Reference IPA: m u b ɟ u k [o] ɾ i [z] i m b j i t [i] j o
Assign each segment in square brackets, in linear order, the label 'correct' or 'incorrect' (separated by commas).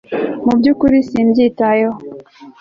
incorrect, incorrect, incorrect